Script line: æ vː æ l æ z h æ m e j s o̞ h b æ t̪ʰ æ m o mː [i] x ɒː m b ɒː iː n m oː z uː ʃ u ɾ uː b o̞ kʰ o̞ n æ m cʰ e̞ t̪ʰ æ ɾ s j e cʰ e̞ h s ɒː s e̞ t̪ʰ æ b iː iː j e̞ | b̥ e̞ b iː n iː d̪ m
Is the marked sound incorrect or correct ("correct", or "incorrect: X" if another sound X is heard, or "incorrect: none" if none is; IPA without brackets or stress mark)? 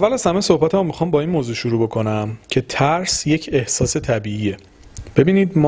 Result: correct